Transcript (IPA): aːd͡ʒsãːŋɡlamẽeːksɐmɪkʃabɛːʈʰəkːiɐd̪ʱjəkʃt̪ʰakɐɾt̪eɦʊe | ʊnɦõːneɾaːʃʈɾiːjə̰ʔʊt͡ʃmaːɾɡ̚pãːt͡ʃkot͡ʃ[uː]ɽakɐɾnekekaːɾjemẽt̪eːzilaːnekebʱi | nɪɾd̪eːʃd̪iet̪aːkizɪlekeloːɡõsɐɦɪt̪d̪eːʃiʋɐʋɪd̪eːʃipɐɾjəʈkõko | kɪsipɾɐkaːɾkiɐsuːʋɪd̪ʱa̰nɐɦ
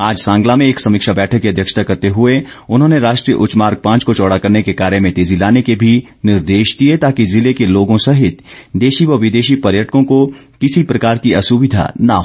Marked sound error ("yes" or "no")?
yes